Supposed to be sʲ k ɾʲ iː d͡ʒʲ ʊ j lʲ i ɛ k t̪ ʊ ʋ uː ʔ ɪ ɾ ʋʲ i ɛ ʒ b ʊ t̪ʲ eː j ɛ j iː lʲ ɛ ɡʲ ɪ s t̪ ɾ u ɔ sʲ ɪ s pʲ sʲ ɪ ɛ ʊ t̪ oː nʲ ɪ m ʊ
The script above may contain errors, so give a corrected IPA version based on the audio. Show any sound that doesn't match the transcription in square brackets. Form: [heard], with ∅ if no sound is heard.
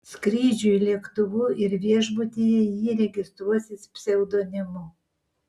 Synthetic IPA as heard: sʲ k ɾʲ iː d͡ʒʲ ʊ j lʲ i ɛ k t̪ ʊ ʋ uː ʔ ɪ ɾ ʋʲ i ɛ ʒ b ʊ t̪ʲ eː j ɛ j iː [ɾʲ] ɛ ɡʲ ɪ s t̪ ɾ u ɔ sʲ ɪ s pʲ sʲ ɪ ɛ ʊ [d̪] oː nʲ ɪ m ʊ